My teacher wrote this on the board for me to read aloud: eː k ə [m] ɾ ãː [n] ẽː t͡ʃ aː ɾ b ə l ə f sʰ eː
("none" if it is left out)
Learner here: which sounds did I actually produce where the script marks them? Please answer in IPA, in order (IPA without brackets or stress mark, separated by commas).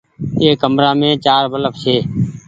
m, m